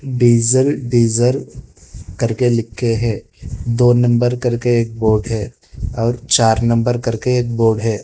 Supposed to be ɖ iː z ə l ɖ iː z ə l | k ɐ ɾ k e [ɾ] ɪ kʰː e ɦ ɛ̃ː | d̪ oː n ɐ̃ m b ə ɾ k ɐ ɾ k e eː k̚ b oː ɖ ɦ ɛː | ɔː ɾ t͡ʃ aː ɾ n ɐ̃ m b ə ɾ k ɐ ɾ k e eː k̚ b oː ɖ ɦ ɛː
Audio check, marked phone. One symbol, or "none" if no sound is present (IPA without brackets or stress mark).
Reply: l